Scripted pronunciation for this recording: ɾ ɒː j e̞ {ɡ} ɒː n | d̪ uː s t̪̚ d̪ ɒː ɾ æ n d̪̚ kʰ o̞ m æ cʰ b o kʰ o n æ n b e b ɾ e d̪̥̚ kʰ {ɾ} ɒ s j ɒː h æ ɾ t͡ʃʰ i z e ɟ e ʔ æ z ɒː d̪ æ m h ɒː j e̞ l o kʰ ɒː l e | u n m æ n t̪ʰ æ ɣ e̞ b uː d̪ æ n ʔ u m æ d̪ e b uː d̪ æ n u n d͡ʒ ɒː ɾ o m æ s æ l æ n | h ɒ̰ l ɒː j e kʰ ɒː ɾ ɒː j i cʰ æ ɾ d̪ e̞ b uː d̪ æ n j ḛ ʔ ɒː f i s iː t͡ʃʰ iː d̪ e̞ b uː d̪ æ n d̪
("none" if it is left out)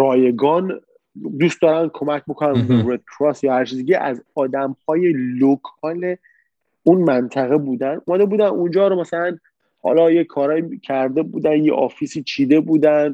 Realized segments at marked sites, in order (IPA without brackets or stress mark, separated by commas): ɡ, ɾ